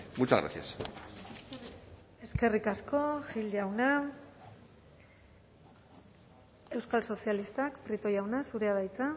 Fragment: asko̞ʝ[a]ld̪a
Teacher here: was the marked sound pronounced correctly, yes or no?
no